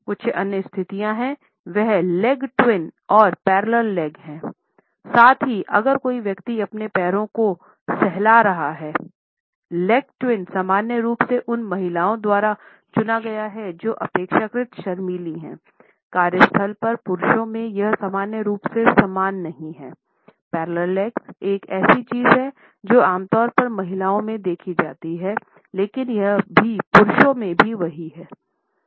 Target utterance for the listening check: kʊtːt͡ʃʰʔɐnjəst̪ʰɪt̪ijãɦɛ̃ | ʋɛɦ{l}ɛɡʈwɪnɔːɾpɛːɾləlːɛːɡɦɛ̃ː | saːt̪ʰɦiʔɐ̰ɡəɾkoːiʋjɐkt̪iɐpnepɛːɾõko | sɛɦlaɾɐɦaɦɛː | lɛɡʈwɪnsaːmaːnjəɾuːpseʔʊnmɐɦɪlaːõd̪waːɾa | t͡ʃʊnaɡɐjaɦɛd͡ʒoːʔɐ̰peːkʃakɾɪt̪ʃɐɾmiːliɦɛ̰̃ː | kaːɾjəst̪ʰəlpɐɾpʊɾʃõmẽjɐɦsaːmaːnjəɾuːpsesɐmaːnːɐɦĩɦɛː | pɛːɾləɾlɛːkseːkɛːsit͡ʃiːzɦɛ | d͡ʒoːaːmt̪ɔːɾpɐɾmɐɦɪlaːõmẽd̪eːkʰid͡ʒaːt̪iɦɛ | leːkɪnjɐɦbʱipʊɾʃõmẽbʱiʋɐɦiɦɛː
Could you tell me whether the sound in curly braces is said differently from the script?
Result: no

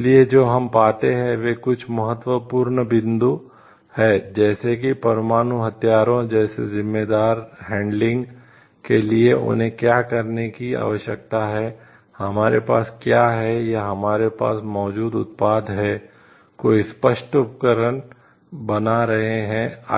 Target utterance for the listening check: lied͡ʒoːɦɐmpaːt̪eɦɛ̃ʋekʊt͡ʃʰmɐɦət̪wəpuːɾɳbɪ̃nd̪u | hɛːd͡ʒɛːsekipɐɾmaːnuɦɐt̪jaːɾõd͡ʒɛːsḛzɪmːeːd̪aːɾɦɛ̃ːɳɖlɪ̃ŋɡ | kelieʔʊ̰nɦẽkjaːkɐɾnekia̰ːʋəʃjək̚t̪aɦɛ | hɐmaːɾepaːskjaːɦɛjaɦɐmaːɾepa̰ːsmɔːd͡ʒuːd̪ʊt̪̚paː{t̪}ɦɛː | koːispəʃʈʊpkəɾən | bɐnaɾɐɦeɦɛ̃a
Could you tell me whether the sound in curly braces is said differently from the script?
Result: yes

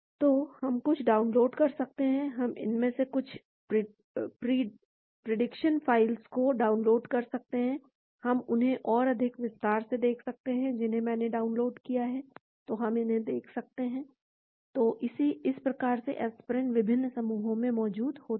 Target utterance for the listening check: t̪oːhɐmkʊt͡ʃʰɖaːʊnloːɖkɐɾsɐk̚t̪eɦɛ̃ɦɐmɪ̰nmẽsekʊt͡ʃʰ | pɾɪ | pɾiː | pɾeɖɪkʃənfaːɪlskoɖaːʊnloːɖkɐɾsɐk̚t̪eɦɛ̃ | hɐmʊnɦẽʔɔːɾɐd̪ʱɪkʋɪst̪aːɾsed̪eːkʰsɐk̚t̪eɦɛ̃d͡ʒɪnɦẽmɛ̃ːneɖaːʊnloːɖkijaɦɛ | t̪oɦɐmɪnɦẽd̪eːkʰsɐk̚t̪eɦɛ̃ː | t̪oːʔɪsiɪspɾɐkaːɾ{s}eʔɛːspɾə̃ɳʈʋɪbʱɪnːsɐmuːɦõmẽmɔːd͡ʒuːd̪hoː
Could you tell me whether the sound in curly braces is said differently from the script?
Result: no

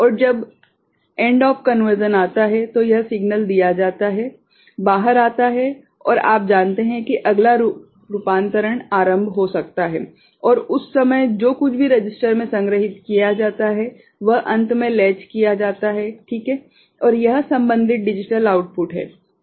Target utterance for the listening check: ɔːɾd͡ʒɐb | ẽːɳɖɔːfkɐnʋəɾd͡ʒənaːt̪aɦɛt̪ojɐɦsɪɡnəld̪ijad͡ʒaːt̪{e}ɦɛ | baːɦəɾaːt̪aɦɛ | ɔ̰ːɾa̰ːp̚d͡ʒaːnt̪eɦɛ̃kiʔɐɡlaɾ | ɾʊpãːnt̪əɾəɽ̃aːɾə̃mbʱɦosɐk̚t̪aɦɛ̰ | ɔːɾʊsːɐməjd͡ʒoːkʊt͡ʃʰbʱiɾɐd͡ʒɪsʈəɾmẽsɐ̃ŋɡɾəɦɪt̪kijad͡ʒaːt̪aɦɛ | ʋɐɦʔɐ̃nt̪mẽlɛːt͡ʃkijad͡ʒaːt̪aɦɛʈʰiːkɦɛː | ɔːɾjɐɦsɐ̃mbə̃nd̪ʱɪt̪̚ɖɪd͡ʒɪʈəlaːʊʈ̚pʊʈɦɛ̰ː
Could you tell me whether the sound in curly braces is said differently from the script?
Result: yes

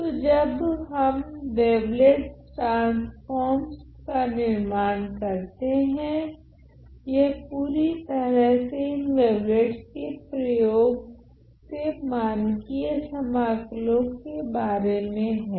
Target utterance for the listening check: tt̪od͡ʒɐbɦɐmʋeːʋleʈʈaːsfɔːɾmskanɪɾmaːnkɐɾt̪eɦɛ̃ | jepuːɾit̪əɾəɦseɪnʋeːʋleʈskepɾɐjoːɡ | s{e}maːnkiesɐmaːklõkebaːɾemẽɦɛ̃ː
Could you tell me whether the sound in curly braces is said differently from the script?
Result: no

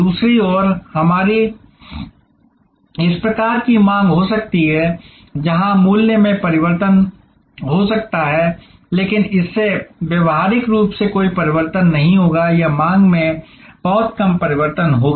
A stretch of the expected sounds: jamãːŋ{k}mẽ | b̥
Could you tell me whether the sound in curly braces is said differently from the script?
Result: yes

